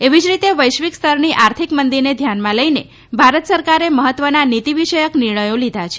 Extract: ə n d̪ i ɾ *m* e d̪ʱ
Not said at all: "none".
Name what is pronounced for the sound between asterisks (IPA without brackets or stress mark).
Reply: n